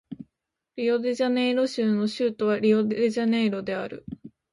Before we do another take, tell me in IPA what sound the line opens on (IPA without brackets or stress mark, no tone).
ɾʲ